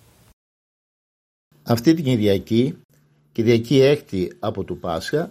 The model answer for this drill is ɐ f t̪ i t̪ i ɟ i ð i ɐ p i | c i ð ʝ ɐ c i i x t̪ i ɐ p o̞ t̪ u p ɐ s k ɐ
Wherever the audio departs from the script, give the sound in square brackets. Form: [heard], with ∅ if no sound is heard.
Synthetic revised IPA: ɐ f t̪ i t̪ i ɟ i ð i ɐ [c] i | c i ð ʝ ɐ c i [e] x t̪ i ɐ p o̞ t̪ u p ɐ s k ɐ